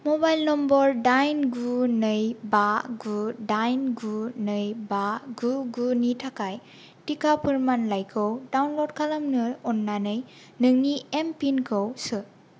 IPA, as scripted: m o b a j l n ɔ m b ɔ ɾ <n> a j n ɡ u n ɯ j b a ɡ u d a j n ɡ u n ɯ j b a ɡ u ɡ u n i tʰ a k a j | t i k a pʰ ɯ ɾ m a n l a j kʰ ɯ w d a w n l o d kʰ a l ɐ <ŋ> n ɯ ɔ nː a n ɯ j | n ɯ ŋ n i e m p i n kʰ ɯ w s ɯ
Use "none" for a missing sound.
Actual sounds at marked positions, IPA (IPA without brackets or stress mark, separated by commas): d, m